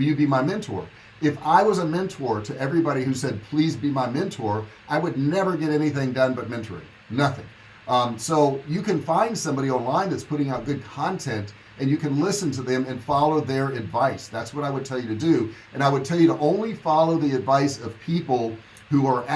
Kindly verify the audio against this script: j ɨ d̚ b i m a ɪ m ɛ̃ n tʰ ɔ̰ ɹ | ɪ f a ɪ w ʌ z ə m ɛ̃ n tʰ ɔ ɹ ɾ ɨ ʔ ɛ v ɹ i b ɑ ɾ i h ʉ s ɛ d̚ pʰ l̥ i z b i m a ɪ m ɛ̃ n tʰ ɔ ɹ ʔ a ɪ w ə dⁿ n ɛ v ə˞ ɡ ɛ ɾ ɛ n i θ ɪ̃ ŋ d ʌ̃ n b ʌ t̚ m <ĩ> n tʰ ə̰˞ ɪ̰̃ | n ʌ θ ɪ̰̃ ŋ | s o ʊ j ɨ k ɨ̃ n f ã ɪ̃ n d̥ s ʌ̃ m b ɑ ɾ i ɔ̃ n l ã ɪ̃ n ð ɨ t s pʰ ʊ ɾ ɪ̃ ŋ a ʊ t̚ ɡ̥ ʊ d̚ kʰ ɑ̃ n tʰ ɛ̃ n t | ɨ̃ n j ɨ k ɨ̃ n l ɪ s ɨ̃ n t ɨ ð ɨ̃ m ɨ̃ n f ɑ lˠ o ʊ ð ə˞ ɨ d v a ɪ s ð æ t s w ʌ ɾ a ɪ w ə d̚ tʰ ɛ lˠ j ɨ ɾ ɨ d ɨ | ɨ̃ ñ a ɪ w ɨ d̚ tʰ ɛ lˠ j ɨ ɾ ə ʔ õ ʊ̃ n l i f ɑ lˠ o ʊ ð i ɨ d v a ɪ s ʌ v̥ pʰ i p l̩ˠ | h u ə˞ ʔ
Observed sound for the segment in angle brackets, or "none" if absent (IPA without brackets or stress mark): ɛ̃